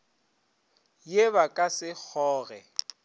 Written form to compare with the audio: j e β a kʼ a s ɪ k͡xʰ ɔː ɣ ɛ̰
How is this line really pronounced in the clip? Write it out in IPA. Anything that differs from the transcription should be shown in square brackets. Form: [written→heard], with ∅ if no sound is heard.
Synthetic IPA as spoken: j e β a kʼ a s ɪ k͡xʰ ɔː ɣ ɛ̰